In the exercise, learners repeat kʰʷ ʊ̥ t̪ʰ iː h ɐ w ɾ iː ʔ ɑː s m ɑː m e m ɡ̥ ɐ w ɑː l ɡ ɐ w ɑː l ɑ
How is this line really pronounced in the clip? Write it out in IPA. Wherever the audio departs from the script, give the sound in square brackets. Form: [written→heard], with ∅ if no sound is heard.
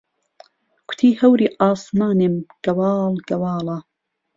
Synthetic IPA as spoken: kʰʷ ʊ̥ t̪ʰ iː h ɐ w ɾ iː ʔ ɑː s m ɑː [m→n] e m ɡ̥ ɐ w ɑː l ɡ ɐ w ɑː l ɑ